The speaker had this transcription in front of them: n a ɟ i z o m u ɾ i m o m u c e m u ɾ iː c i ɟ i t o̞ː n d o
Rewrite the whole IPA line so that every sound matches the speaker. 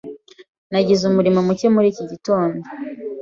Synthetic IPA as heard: n a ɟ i z u m u ɾ i m o m u c e m u ɾ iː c i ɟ i t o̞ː n d o

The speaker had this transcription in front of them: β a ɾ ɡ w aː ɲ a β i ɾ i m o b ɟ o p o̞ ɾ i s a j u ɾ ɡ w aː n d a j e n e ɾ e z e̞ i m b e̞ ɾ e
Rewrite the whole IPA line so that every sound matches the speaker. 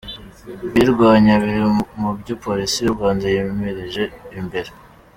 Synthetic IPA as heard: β i ɾ ɡ w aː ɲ a β i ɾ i m u b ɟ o p o̞ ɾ i s i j u ɾ ɡ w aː n d a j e m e ɾ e ʒ e̞ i m b e̞ ɾ e

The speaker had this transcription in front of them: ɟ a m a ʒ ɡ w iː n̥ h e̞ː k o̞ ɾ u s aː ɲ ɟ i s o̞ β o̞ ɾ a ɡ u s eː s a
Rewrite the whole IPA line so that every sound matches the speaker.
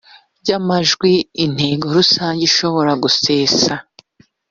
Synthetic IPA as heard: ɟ a m a ʒ ɡ w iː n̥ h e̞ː ɡ o̞ ɾ u s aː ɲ ɟ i ʃ o̞ β o̞ ɾ a ɡ u s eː s a

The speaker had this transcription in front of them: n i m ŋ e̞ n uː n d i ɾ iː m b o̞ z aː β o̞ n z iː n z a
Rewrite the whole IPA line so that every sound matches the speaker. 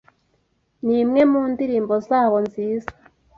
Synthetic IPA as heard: n i m ŋ e̞ m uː n d i ɾ iː m b o̞ z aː β o̞ n z iː z a

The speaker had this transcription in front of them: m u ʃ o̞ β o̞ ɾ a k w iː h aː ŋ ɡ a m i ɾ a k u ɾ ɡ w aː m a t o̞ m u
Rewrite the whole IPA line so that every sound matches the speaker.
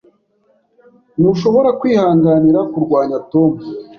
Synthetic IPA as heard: n u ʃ o̞ β o̞ ɾ a k w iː h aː ŋ ɡ a n i ɾ a k u ɾ ɡ w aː ɲ a t o̞ m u

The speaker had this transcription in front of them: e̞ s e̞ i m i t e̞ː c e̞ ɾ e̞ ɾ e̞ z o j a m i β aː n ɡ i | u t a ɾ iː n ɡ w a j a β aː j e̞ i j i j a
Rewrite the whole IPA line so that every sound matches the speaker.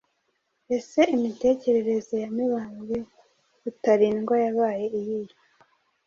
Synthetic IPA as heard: e̞ s e̞ i m i t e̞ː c e̞ ɾ e̞ ɾ e̞ z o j a m i β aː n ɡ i | u t a ɾ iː n ɡ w a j a β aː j e̞ i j i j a

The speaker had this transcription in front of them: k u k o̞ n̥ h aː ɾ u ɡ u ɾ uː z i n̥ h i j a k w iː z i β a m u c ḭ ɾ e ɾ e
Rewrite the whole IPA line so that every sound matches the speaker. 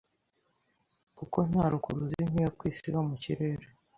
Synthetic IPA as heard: k u k o̞ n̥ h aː ɾ u k u ɾ u z i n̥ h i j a k w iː s i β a m u c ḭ ɾ e ɾ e

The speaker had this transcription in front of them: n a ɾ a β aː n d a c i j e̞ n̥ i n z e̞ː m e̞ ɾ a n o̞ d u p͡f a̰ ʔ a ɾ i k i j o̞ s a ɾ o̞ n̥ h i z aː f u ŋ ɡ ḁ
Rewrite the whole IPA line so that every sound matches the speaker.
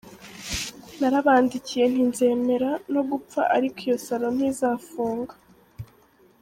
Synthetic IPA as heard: n a ɾ a β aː n d i c i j e̞ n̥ i n z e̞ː m e̞ ɾ a n o̞ ɡ u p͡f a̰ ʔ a ɾ i k i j o̞ s a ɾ o̞ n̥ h i z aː f uː ŋ ɡ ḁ

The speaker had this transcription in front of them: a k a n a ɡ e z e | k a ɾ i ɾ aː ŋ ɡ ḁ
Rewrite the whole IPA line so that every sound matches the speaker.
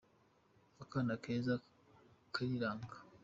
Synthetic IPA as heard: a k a n a k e z a | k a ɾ i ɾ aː ŋ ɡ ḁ

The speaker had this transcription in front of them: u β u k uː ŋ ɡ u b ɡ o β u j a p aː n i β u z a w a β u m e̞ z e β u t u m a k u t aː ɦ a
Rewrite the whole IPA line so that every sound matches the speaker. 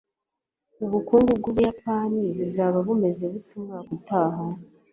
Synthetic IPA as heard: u β u k uː ŋ ɡ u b ɡ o β u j a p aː n i β u z a β a β u m e̞ z e β u t u m a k u t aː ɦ a

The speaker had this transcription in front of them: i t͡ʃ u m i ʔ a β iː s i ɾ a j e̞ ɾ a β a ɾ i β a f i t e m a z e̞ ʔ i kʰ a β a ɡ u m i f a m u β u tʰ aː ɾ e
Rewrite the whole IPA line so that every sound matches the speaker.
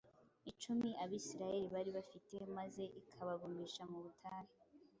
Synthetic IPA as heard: i t͡ʃ u m i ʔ a β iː s i ɾ a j e̞ ɾ i β a ɾ i β a f i t e m a z e̞ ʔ i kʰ a β a ɡ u m i ʃ a m u β u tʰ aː ɾ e

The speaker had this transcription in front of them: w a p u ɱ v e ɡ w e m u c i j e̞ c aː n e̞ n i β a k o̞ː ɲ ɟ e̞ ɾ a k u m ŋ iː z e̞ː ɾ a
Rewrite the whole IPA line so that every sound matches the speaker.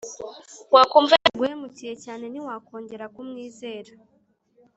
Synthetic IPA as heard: w a k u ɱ v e ɡ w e m u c i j e̞ c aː n e̞ n i w a k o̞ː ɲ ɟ e̞ ɾ a k u m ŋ iː z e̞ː ɾ a

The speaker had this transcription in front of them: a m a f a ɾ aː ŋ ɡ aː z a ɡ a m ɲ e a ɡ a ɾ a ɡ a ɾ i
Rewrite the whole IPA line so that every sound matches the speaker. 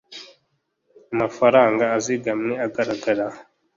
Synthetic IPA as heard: a m a f a ɾ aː ŋ ɡ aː z i ɡ a m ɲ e a ɡ a ɾ a ɡ a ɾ a

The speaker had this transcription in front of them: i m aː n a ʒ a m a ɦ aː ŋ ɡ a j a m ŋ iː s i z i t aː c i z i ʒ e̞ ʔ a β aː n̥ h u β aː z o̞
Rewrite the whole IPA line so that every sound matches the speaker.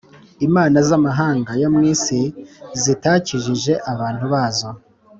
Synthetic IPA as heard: i m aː n a z a m a ɦ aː ŋ ɡ a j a m ŋ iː s i z i t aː c i ʒ i ʒ e̞ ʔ a β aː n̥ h u β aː z o̞

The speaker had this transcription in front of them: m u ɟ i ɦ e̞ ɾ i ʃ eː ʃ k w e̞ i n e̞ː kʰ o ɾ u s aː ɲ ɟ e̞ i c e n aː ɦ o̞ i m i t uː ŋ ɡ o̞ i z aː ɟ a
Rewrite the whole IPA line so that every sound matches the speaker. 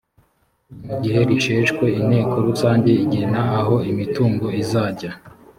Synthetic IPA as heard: m u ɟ i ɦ e̞ ɾ i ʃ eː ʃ k w e̞ i n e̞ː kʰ o ɾ u s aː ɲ ɟ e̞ i ɟ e n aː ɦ o̞ i m i t uː ŋ ɡ o̞ i z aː ɟ a

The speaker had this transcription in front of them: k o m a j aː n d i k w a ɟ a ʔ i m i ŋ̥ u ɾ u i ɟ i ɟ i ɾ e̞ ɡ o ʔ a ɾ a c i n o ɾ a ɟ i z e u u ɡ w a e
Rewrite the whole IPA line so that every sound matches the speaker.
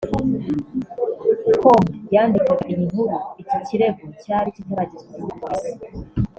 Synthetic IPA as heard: k o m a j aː n d i k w a ɡ a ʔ i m i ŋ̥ u ɾ u i c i c i ɾ e̞ ɡ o c a ɾ i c i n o ɾ a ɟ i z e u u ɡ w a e

